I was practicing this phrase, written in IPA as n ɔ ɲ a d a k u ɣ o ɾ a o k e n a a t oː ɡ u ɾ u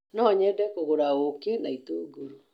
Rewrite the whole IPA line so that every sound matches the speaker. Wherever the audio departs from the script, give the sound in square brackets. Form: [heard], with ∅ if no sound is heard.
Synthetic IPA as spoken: n ɔ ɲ [ɛ] d [ɛ] k [o] ɣ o ɾ a o k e n a [i] t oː ɡ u ɾ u